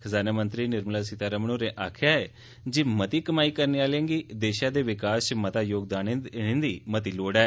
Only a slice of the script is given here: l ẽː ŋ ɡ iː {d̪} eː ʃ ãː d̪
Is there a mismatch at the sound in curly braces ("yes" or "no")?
no